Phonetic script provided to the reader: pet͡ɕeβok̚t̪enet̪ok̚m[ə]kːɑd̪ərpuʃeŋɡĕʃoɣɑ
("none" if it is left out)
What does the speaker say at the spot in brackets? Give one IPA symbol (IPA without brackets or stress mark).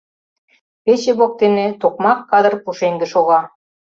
ɑ